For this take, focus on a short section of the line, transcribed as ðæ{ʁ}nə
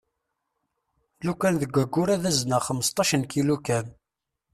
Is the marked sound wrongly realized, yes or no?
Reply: yes